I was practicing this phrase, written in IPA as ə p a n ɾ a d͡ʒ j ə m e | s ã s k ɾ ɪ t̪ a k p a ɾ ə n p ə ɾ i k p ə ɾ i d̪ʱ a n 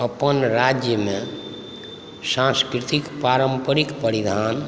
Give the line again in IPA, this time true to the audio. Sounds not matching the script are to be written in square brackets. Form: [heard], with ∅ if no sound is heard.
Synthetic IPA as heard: ə p [ə] n ɾ a d͡ʒ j ə m e | s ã s k ɾ [i] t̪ [i] k p a ɾ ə [m] p ə ɾ i k p ə ɾ i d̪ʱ a n